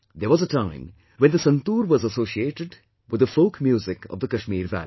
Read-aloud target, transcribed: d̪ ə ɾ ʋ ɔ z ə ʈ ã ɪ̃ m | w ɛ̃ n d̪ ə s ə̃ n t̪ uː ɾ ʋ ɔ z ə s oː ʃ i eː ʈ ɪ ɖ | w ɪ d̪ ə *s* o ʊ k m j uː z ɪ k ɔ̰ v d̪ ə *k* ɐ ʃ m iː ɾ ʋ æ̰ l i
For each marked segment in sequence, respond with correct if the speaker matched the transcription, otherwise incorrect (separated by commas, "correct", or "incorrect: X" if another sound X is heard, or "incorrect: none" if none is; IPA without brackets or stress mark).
incorrect: f, correct